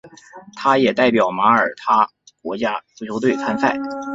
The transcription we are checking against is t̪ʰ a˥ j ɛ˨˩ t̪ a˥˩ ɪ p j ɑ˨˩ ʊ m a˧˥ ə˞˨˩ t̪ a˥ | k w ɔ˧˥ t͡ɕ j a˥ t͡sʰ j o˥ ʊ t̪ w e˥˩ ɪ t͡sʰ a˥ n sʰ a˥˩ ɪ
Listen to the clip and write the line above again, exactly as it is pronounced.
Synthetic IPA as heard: t̪ʰ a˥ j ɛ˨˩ t̪ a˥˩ ɪ p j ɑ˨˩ ʊ m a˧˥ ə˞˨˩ t̪ʰ a˥ | k w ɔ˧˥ t͡ɕ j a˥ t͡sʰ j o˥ ʊ t̪ w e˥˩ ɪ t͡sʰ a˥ n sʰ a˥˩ ɪ